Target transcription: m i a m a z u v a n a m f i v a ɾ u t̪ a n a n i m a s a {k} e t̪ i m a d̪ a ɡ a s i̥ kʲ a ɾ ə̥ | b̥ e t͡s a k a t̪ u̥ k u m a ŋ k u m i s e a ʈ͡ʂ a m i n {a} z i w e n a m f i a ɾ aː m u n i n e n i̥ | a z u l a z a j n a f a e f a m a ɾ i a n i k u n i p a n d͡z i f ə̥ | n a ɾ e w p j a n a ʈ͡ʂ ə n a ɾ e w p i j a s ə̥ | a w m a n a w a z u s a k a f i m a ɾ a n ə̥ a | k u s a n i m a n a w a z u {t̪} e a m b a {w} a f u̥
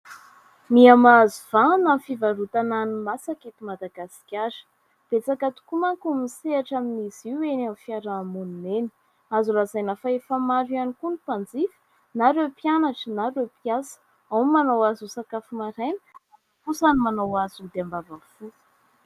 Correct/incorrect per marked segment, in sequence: correct, incorrect: i, incorrect: d̪, incorrect: v

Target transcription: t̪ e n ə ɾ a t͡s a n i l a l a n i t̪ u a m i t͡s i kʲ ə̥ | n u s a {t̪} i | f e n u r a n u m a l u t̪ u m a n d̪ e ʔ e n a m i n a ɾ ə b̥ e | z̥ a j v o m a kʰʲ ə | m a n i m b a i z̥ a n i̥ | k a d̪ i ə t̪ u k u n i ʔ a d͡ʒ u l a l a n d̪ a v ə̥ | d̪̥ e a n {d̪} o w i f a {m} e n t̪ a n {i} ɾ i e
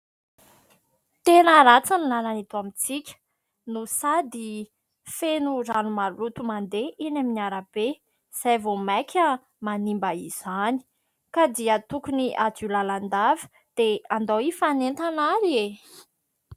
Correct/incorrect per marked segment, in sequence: incorrect: d̪, correct, incorrect: n, incorrect: a

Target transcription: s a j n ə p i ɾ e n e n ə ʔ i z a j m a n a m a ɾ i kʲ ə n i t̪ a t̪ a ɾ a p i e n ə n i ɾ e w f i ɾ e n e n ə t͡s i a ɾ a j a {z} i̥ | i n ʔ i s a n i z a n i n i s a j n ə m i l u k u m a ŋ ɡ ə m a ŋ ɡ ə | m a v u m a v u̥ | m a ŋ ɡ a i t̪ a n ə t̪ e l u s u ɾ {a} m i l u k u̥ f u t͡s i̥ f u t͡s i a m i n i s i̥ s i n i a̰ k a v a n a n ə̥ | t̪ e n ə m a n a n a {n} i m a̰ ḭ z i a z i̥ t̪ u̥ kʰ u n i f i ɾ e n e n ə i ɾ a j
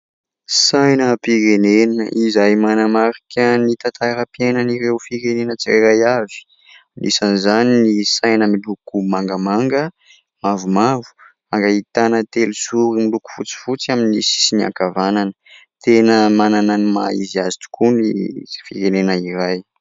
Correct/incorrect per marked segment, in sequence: incorrect: v, incorrect: i, correct

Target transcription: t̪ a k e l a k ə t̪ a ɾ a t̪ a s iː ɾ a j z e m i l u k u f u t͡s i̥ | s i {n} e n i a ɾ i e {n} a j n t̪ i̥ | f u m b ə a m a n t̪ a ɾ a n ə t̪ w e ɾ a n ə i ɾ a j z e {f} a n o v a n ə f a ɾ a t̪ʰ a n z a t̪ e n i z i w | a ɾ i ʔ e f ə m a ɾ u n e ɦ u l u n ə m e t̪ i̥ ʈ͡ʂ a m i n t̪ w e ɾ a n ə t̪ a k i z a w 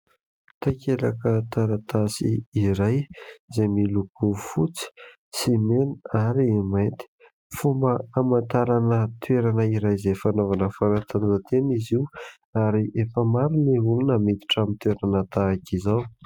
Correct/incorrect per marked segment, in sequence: incorrect: m, incorrect: m, correct

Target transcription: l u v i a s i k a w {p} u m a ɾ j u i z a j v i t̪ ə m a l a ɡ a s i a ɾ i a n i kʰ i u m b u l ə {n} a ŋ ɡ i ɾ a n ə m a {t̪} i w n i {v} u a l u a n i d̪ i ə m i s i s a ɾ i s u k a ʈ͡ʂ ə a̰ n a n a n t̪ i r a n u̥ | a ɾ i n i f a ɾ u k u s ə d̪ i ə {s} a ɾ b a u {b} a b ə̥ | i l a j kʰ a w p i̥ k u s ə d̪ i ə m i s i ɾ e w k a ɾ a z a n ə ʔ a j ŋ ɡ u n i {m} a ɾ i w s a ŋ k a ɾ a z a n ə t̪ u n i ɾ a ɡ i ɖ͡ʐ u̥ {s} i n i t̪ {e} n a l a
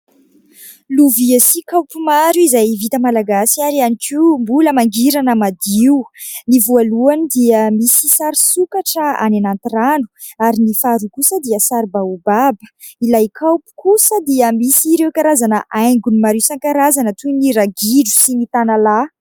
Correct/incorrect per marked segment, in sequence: correct, incorrect: m, incorrect: d̪, correct, correct, correct, correct, correct, incorrect: a

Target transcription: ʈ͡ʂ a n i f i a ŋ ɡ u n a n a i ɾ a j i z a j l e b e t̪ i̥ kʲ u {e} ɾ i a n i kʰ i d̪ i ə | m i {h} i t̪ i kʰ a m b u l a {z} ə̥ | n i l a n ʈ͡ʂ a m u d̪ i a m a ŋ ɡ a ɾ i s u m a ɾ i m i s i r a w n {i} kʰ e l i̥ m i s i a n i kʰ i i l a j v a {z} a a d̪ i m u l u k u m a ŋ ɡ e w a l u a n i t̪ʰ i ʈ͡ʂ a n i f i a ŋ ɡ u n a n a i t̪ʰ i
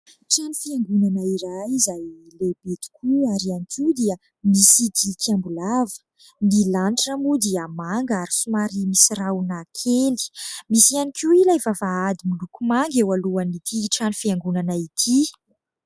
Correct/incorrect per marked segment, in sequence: incorrect: a, incorrect: s, incorrect: v, incorrect: a, incorrect: v

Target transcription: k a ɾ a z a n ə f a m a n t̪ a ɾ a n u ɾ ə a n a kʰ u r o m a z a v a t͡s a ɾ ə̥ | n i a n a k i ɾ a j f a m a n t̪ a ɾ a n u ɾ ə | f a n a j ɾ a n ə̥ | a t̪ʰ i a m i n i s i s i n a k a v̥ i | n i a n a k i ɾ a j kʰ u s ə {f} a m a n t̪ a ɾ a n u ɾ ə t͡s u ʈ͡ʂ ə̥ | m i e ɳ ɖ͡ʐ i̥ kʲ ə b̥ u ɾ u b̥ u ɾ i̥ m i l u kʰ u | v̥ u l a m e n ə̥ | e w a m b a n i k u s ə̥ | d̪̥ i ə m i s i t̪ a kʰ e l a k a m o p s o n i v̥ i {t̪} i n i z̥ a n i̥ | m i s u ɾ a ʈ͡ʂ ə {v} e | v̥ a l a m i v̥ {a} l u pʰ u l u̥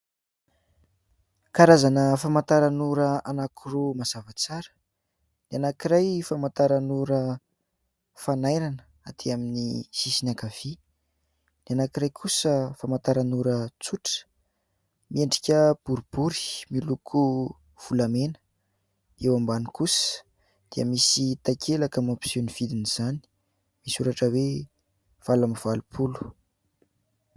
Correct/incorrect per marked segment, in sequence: correct, incorrect: d̪, incorrect: w, correct

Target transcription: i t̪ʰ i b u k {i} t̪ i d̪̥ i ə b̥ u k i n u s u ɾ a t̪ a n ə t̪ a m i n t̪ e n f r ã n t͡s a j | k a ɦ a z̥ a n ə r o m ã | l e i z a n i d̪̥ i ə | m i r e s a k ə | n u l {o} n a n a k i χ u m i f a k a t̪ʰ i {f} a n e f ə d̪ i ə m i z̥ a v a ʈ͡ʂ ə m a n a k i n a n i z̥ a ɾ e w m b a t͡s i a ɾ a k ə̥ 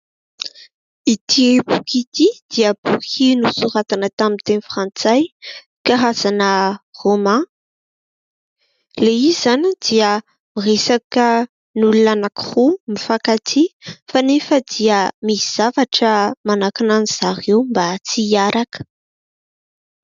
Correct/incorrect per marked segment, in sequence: correct, incorrect: u, correct

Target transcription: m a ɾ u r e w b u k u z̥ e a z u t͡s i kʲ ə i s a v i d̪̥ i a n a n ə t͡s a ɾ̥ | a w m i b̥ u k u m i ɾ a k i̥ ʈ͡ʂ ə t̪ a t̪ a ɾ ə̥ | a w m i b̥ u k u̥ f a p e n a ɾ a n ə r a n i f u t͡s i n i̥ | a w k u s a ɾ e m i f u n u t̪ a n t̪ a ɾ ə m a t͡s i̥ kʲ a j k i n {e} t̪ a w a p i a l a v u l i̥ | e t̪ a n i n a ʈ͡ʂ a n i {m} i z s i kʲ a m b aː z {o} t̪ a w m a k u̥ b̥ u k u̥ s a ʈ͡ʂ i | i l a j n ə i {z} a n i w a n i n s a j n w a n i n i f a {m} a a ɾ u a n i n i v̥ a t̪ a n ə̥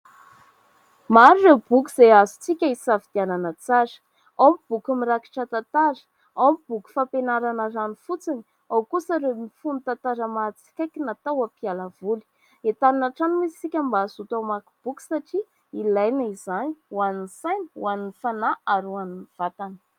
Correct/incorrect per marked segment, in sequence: incorrect: a, correct, incorrect: u, correct, incorrect: n

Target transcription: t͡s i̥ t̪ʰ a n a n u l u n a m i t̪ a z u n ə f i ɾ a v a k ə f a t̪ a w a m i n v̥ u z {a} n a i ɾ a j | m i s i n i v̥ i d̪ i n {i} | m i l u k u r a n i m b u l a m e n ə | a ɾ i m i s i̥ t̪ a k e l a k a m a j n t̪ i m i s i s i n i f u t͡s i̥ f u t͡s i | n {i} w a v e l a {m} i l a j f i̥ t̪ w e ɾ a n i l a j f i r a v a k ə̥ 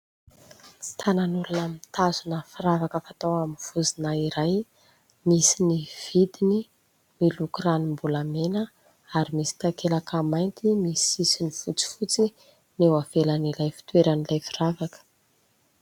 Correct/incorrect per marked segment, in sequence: incorrect: i, correct, incorrect: e, incorrect: n

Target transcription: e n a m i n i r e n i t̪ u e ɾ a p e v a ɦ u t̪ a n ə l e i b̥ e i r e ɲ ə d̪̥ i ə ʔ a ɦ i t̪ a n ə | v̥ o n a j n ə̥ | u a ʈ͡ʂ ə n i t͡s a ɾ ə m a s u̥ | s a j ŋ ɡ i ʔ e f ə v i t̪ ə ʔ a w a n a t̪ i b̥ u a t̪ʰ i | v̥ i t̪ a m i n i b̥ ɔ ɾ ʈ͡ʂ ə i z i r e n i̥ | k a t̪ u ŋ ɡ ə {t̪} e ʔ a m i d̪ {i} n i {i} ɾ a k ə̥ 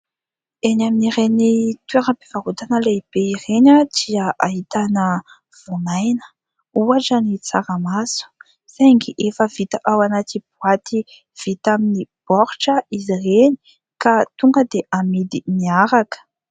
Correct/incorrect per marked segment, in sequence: incorrect: d̪, correct, incorrect: a

